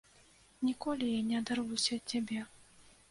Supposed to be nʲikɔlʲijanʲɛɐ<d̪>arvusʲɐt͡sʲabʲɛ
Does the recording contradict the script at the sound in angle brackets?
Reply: no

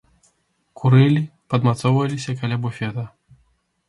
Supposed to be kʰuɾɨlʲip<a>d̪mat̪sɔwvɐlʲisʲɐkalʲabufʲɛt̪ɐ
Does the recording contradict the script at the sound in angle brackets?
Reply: yes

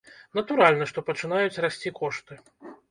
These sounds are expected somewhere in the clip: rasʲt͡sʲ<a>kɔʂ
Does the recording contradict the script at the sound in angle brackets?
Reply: yes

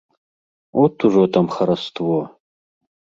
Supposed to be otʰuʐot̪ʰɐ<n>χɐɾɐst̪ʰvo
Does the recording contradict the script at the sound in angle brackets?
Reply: yes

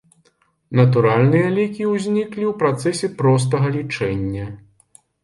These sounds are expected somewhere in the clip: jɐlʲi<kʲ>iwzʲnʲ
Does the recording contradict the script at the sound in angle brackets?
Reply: no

